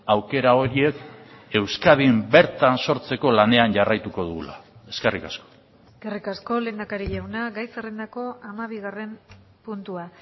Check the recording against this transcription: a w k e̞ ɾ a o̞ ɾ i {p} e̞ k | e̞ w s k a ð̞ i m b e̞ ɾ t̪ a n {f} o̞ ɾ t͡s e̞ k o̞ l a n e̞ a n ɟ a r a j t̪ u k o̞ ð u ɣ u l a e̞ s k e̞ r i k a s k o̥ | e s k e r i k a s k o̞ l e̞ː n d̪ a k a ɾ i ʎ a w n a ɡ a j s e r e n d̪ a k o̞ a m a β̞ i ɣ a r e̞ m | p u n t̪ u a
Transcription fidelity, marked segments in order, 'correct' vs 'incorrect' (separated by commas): incorrect, incorrect